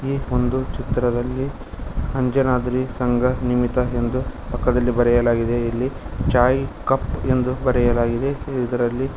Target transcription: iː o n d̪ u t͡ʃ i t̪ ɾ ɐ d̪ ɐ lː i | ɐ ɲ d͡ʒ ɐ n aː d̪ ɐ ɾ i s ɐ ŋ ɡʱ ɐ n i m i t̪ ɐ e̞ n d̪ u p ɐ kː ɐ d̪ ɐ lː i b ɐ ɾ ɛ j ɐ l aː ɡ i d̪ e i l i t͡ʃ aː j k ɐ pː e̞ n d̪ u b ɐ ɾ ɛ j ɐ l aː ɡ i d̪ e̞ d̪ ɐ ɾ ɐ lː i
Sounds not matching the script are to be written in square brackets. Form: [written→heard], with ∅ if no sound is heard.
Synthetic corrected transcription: iː o n d̪ u t͡ʃ i t̪ ɾ ɐ d̪ ɐ lː i | ɐ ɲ d͡ʒ ɐ n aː d̪ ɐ ɾ i s ɐ ŋ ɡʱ ɐ n i m i t̪ ɐ e̞ n d̪ u p ɐ kː ɐ d̪ ɐ lː i b ɐ ɾ ɛ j ɐ l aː ɡ i d̪ e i [l→lː] i t͡ʃ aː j k ɐ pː e̞ n d̪ u b ɐ ɾ ɛ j ɐ l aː ɡ i d̪ e̞ d̪ ɐ ɾ ɐ lː i